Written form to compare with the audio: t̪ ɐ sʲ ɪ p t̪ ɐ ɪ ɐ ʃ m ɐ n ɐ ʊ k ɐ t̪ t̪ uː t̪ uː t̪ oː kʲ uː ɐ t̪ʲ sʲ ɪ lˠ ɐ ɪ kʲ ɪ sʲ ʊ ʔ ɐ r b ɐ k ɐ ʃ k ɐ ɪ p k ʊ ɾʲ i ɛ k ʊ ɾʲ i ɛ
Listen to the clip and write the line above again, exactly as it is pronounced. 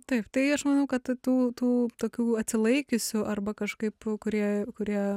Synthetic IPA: t̪ ɐ ɪ p t̪ ɐ ɪ ɐ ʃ m ɐ n ɐ ʊ k ɐ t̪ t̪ uː t̪ uː t̪ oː kʲ uː ɐ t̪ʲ sʲ ɪ lˠ ɐ ɪ kʲ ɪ sʲ ʊ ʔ ɐ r b ɐ k ɐ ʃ k ɐ ɪ p k ʊ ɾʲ i ɛ k ʊ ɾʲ i ɛ